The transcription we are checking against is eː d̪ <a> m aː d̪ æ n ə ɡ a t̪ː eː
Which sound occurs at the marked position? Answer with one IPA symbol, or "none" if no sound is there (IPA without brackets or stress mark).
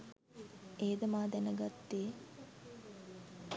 ə